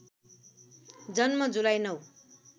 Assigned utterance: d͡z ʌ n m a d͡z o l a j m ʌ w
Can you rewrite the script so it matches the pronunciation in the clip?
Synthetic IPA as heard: d͡z ʌ n m ʌ d͡z u l a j n ʌ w